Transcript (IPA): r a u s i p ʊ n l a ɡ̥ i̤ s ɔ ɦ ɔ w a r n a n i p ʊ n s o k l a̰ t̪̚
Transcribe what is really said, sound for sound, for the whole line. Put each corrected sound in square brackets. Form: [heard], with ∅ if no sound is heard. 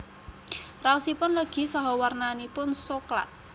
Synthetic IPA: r a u s i p ʊ n l [ə] ɡ̥ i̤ s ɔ ɦ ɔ w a r n a n i p ʊ n s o k l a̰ t̪̚